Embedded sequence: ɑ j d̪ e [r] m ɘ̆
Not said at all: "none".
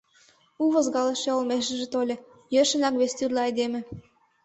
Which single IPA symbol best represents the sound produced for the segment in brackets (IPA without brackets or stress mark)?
none